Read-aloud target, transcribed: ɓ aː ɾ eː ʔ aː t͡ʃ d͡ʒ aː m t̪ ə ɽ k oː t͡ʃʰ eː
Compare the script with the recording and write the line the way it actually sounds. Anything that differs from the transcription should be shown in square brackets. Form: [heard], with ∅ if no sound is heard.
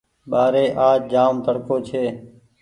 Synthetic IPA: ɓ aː ɾ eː ʔ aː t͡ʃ d͡ʒ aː m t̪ ə ɽ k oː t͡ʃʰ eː

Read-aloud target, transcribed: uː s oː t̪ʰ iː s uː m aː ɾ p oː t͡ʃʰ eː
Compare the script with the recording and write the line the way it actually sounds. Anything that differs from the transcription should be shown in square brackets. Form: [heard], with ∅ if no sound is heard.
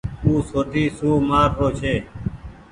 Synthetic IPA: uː s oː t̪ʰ iː s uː m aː ɾ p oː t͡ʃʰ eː

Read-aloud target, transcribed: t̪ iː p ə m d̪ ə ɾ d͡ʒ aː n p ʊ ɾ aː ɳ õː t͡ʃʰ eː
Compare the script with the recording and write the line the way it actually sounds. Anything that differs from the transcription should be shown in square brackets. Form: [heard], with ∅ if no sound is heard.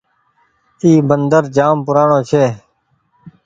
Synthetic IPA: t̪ iː [b] ə [n] d̪ ə ɾ d͡ʒ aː [m] p ʊ ɾ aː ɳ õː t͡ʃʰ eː

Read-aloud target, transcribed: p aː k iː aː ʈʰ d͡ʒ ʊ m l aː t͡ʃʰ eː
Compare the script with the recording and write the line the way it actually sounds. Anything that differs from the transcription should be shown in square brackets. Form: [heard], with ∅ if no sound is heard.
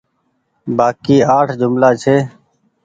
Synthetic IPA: [b] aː k iː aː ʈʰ d͡ʒ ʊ m l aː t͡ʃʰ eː

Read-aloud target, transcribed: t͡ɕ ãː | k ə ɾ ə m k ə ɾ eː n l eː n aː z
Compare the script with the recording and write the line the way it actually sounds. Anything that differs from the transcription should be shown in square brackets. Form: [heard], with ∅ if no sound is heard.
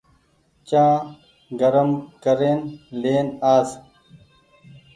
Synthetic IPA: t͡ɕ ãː | [ɡ] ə ɾ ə m k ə ɾ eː n l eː n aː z

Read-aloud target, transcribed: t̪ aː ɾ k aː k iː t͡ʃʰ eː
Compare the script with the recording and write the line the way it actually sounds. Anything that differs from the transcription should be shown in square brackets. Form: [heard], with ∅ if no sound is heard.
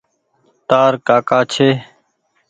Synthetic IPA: t̪ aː ɾ k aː k [aː] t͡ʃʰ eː

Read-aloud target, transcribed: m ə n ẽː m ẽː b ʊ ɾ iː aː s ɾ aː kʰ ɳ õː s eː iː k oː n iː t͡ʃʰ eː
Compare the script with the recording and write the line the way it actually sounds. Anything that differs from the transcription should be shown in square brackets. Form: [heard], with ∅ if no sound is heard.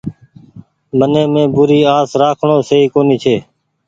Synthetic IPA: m ə n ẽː m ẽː b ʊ ɾ iː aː s ɾ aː kʰ ɳ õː s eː iː k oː n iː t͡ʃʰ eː

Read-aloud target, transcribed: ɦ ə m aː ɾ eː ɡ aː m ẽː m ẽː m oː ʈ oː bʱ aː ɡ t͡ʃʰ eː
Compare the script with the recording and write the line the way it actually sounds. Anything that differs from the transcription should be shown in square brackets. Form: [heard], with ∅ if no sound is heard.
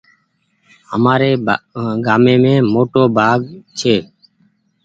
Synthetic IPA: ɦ ə m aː ɾ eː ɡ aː m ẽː m ẽː m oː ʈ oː bʱ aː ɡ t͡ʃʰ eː

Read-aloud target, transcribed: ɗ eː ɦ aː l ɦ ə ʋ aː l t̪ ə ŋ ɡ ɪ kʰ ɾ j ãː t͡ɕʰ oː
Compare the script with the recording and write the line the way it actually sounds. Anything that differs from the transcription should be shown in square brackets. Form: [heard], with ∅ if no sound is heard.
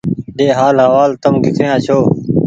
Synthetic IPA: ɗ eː ɦ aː l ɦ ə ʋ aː l t̪ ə [m] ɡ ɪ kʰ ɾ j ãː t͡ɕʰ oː

